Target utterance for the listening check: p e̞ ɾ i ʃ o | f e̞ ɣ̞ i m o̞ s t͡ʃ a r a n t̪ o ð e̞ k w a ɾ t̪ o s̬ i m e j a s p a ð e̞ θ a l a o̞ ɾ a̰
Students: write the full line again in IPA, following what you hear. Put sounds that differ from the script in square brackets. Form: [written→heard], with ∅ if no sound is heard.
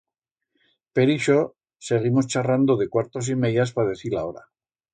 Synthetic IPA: p e̞ ɾ i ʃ o | [f→s] e̞ ɣ̞ i m o̞ s t͡ʃ a r a n [t̪→d̪] o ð e̞ k w a ɾ t̪ o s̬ i m e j a s p a ð e̞ θ [a→i] l a o̞ ɾ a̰